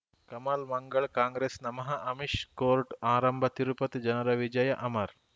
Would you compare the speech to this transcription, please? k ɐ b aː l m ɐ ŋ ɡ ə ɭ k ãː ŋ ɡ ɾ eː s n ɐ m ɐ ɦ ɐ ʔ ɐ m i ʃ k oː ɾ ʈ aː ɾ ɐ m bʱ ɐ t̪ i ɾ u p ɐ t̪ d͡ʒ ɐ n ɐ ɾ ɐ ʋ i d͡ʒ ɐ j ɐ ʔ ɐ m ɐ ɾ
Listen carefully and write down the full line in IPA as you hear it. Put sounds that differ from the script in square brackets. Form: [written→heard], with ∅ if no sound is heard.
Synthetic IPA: k ɐ [b→m] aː l m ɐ ŋ ɡ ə ɭ k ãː ŋ ɡ ɾ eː s n ɐ m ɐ ɦ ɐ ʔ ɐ m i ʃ k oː ɾ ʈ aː ɾ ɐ m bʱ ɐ t̪ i ɾ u p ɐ t̪ d͡ʒ ɐ n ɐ ɾ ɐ ʋ i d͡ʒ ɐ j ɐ ʔ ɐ m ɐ ɾ